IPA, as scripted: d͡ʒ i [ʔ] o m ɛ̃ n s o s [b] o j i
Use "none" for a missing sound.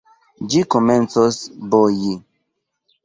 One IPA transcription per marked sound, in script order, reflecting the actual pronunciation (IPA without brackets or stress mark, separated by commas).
k, b